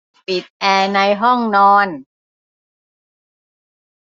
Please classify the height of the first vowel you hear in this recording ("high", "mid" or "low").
high